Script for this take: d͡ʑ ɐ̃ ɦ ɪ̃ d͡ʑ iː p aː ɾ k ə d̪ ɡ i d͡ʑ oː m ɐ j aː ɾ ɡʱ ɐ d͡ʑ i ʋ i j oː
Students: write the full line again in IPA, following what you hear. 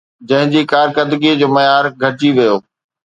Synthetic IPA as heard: d͡ʑ ɐ̃ ɦ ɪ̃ d͡ʑ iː k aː ɾ k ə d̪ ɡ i d͡ʑ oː m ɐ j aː ɾ ɡʱ ɐ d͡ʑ i ʋ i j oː